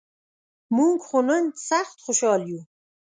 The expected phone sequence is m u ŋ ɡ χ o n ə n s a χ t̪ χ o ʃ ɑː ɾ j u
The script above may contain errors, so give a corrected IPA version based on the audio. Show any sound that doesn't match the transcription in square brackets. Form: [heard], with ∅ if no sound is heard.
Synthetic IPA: m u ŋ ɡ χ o n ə n s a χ t̪ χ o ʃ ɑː [l] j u